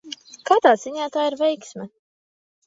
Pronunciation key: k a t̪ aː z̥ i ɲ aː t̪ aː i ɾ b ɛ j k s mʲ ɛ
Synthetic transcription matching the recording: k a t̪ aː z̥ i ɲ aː t̪ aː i ɾ v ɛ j k s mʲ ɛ